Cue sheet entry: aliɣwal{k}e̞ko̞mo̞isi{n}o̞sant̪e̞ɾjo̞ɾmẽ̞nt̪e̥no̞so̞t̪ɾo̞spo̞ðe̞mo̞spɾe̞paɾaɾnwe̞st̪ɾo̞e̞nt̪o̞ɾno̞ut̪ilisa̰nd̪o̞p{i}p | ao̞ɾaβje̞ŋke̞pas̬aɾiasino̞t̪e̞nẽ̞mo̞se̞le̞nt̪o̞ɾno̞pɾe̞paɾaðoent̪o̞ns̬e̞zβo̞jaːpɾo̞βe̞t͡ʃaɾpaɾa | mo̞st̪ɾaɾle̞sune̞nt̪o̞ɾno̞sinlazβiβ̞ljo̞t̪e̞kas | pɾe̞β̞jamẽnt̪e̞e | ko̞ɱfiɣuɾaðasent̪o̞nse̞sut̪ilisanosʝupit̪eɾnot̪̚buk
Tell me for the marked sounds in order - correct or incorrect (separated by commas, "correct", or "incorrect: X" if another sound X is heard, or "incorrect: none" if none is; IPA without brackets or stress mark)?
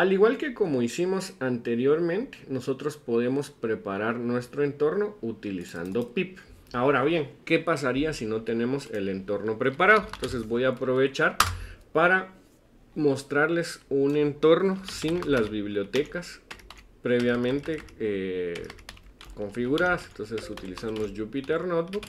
correct, incorrect: m, correct